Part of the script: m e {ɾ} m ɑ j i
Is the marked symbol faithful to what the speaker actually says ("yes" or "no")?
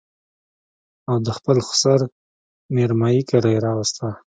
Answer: yes